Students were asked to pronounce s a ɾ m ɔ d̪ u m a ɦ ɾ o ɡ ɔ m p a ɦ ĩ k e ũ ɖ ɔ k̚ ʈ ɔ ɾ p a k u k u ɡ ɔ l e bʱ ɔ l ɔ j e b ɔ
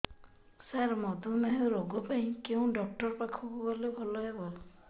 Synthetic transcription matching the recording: s a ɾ m ɔ d̪ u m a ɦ ɾ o ɡ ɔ p a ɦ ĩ k e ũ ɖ ɔ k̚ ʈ ɔ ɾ p a kʰ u k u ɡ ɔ l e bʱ ɔ l ɔ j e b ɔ